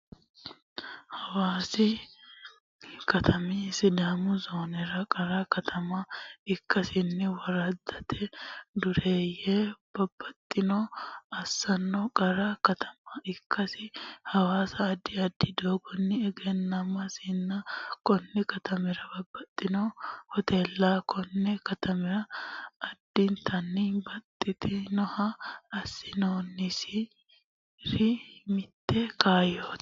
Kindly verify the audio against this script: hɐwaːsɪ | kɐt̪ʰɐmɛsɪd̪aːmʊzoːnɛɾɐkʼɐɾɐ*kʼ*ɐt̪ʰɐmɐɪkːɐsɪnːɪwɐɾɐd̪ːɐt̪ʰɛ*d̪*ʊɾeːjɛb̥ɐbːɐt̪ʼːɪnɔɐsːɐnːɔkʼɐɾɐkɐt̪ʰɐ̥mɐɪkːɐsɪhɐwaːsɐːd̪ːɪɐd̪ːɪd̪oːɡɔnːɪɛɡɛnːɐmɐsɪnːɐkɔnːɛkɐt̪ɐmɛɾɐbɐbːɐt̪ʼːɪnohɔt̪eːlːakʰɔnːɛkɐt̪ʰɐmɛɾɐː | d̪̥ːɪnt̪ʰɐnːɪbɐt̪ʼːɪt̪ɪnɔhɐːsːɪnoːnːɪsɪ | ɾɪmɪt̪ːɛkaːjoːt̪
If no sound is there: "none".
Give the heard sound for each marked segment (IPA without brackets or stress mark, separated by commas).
k, d̪